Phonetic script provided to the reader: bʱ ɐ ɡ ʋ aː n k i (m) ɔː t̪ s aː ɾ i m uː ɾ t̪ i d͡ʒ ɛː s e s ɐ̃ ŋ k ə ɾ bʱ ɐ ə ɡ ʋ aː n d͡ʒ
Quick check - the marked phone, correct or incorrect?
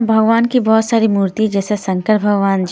incorrect